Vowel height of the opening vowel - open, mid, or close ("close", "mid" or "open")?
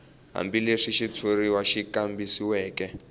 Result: open